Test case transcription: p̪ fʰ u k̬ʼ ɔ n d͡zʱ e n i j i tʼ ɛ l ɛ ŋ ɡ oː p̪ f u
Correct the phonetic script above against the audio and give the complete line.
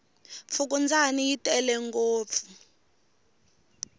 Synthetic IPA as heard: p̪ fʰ u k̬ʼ u n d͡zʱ a n i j i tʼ ɛ l ɛ ŋ ɡ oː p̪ f u